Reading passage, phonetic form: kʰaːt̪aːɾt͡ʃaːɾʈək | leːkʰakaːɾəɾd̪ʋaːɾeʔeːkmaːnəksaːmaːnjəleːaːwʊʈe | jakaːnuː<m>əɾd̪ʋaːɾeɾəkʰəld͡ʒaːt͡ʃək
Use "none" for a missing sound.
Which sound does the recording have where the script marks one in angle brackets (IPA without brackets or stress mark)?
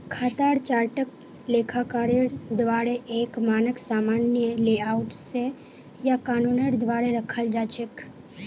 n